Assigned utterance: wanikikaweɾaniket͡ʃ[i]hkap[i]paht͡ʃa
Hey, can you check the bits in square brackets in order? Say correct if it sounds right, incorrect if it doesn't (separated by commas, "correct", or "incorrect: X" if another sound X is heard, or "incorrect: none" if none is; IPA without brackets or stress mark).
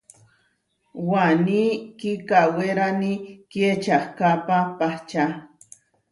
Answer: incorrect: a, incorrect: a